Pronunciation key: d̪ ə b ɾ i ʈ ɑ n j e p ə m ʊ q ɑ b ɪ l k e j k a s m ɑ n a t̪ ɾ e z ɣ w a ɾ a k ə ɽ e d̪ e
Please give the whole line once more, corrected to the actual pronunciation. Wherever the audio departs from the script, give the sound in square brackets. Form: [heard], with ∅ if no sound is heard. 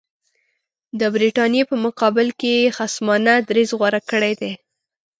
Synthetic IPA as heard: d̪ ə b ɾ i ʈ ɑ n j e p ə m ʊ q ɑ b ɪ l k e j [x] a s m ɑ n a [d̪] ɾ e z ɣ w a ɾ a k ə ɽ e d̪ e